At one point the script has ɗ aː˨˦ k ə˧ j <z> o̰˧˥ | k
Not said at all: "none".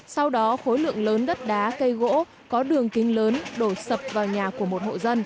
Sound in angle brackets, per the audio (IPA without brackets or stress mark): ɣ